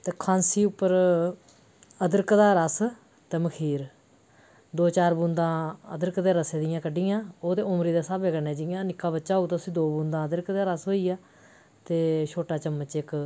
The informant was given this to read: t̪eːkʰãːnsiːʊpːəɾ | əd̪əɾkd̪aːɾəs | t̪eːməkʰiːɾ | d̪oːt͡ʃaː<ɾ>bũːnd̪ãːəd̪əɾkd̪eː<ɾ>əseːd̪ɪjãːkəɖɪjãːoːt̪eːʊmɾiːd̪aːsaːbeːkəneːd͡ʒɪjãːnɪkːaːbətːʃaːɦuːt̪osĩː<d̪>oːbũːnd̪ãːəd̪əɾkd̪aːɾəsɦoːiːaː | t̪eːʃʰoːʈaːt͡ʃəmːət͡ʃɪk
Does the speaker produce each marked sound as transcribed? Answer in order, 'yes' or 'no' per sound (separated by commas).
yes, yes, yes